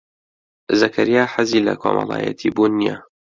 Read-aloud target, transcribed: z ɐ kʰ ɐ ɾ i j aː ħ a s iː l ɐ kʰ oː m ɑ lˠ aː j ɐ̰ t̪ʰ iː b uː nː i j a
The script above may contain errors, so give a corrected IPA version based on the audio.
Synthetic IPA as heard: z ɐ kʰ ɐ ɾ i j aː ħ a z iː l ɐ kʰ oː m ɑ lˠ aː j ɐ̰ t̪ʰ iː b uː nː i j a

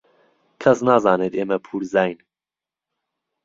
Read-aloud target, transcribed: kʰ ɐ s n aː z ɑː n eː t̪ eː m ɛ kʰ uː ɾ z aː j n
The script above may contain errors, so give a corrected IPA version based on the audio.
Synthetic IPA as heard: kʰ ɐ s n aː z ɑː n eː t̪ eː m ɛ pʰ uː ɾ z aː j n

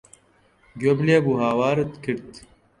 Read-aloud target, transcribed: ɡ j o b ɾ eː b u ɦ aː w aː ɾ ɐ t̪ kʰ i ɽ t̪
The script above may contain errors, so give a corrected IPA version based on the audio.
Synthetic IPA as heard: ɡ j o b l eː b u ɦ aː w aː ɾ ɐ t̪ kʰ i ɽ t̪

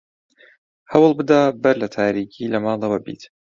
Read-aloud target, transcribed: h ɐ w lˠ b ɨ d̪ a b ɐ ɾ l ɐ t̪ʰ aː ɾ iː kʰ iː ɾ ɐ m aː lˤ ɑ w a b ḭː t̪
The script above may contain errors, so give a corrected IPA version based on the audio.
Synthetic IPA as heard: h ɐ w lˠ b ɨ d̪ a b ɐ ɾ l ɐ t̪ʰ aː ɾ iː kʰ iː l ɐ m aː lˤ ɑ w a b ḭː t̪

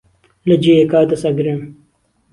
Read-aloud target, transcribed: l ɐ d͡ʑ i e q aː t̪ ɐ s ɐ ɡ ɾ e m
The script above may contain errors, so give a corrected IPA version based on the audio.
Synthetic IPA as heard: l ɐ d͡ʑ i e k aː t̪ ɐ s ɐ ɡ ɾ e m

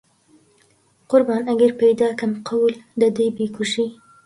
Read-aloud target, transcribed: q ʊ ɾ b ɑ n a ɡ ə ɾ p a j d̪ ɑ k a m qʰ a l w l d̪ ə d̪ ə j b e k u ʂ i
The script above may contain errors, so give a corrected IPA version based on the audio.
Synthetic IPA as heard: q ʊ ɾ b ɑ n a ɡ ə ɾ p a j d̪ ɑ k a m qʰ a w l d̪ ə d̪ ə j b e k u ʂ i

